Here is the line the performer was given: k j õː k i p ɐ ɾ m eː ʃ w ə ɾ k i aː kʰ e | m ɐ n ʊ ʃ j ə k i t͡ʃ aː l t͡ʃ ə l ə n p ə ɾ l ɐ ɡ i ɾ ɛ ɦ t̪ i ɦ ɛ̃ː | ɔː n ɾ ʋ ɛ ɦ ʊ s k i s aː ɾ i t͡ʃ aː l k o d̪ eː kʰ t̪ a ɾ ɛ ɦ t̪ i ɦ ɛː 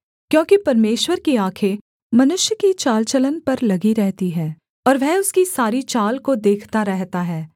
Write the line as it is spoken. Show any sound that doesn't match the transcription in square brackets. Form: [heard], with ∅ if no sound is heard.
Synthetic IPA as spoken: k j õː k i p ɐ ɾ m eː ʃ w ə ɾ k i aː kʰ e | m ɐ n ʊ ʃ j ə k i t͡ʃ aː l t͡ʃ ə l ə n p [ɐ] ɾ l ɐ ɡ i ɾ ɛ ɦ t̪ i ɦ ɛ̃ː | ɔː [∅] ɾ ʋ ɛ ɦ ʊ s k i s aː ɾ i t͡ʃ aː l k o d̪ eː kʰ t̪ a ɾ ɛ ɦ t̪ [a] ɦ ɛː